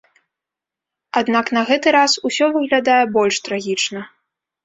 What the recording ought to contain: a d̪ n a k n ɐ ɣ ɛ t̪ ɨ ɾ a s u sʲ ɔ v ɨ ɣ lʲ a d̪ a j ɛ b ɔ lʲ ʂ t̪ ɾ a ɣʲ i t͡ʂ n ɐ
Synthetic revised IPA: a d̪ n a k n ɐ ɣ ɛ t̪ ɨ ɾ a s u sʲ ɔ v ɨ ɣ lʲ a d̪ a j ɛ b ɔ lʲ ʂ t̪ ɾ a ɣʲ i t͡ʂ n ɐ

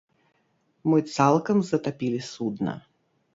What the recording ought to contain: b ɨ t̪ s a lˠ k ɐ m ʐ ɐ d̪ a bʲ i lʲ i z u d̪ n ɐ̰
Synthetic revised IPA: m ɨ t̪ s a lˠ k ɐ m z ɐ t̪ a pʲ i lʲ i s u d̪ n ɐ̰

